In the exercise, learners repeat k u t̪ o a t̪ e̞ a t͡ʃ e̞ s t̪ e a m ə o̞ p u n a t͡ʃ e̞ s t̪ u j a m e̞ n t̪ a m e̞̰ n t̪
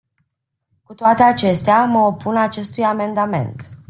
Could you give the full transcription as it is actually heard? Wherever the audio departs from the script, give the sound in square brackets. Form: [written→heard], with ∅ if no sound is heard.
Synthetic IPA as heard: k u t̪ o a t̪ e̞ a t͡ʃ e̞ s t̪ e a m ə o̞ p u n a t͡ʃ e̞ s t̪ u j a m e̞ n [t̪→d̪] a m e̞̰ n t̪